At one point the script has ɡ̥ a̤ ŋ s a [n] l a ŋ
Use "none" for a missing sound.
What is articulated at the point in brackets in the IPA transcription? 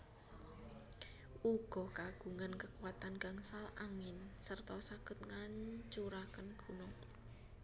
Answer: none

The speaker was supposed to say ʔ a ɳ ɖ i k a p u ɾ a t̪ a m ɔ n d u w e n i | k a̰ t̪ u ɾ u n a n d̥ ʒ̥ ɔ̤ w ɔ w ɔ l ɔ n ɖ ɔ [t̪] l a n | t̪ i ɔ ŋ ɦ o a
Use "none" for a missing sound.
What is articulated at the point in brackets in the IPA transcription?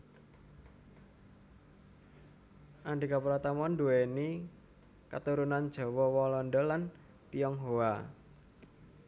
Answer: none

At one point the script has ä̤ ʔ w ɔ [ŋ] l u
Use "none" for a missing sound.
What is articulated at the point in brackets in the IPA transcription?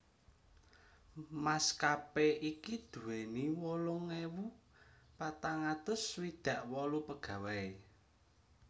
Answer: none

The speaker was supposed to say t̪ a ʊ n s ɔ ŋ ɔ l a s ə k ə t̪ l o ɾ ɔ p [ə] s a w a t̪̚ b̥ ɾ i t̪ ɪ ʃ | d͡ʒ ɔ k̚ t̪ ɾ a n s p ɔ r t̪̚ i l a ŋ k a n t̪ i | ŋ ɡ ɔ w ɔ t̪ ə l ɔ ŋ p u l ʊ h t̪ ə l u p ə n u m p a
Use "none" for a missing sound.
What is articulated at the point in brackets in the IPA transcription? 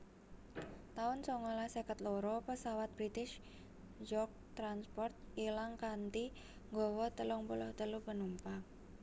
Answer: ə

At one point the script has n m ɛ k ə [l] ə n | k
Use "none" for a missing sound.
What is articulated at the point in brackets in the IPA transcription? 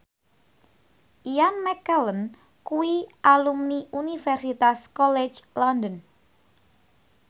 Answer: l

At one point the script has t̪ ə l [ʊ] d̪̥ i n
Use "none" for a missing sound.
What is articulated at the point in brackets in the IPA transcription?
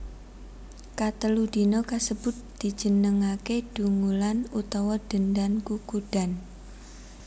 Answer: u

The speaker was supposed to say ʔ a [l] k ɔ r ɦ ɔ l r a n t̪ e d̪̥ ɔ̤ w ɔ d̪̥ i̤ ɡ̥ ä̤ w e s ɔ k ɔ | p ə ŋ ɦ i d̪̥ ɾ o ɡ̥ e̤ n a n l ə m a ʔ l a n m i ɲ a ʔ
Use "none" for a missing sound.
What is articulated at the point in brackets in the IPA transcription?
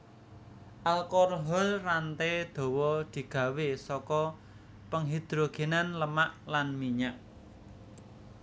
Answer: l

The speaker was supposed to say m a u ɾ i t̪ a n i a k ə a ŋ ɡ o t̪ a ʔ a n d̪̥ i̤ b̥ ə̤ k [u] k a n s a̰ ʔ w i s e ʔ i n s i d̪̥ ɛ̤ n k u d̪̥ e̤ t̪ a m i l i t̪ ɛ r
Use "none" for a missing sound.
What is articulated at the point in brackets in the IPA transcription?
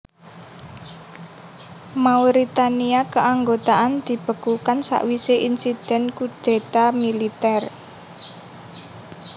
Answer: u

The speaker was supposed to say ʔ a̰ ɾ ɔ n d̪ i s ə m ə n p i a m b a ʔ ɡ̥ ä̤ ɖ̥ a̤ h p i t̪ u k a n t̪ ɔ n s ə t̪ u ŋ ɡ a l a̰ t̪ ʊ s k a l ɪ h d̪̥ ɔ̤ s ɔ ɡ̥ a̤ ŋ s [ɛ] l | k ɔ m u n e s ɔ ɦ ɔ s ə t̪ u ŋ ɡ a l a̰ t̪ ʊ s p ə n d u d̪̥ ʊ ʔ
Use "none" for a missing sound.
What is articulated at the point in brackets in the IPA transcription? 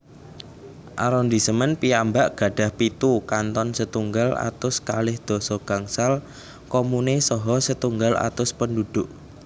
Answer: a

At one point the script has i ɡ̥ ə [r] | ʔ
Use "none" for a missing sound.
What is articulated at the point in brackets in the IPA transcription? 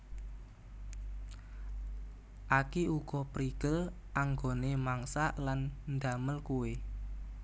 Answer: l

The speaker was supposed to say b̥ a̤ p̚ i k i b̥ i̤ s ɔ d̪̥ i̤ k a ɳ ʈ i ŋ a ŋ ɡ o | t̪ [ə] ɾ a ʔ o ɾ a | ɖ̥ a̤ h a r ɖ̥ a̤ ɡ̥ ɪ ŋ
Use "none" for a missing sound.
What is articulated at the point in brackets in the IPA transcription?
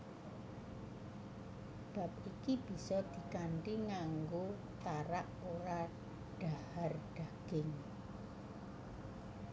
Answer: a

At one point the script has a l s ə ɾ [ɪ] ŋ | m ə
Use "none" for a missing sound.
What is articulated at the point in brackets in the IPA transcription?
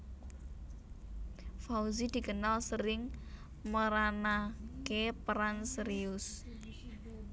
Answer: ɪ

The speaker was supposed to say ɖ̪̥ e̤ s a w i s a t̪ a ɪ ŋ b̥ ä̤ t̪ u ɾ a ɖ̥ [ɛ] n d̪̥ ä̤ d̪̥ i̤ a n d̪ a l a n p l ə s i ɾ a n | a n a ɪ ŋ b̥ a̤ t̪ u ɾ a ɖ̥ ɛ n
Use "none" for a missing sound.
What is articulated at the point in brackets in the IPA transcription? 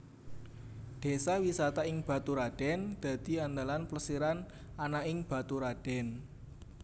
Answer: ɛ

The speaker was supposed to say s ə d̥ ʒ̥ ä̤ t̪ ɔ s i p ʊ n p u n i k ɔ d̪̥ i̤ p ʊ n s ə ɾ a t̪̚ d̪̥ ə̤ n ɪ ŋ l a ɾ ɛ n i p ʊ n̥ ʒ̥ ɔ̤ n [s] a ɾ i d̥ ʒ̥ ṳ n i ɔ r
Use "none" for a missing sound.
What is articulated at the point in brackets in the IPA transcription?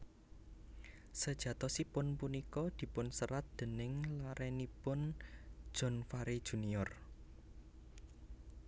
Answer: f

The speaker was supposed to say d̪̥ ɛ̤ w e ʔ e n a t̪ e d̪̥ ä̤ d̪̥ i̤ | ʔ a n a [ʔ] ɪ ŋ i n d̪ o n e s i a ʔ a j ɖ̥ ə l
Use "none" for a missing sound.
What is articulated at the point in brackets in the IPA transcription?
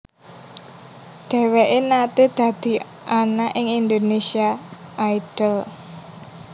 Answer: ʔ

